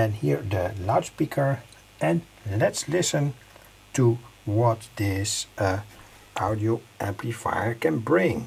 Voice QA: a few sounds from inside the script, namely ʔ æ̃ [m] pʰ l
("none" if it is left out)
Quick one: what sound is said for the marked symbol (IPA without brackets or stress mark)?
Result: m